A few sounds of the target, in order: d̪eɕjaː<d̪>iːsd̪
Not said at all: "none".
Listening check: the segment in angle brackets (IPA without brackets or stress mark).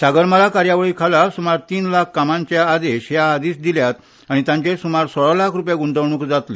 d̪